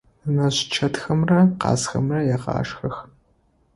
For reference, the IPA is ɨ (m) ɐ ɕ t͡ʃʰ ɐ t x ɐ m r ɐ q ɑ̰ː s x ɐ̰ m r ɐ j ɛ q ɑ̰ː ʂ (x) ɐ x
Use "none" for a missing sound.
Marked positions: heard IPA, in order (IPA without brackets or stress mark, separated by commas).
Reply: n, x